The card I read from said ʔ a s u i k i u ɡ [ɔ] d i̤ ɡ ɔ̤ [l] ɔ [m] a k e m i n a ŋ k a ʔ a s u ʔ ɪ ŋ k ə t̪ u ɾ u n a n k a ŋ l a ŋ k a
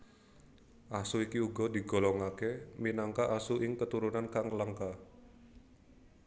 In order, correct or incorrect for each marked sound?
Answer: correct, correct, incorrect: ŋ

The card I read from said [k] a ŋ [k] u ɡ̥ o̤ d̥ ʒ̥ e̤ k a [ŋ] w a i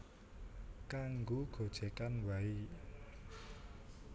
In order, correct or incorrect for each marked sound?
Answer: correct, incorrect: ɡ, incorrect: n

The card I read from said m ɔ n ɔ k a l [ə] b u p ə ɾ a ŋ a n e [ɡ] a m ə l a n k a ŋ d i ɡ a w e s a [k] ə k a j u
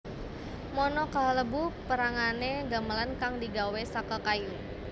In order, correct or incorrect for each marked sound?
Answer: correct, correct, correct

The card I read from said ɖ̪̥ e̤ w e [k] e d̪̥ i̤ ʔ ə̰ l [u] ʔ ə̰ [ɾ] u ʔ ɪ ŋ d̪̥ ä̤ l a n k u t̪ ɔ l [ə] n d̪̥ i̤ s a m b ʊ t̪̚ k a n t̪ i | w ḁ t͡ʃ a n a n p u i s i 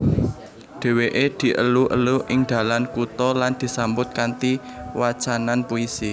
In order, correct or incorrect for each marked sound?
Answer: incorrect: ʔ, correct, incorrect: l, incorrect: a

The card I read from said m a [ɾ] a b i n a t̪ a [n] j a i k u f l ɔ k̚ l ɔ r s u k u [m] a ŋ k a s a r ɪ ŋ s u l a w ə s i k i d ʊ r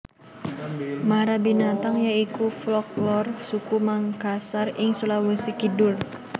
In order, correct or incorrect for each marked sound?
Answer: correct, incorrect: ŋ, correct

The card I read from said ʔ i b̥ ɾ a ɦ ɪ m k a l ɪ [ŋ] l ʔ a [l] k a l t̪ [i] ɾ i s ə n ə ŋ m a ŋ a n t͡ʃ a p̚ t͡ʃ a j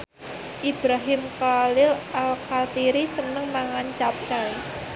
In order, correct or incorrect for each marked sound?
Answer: incorrect: none, correct, correct

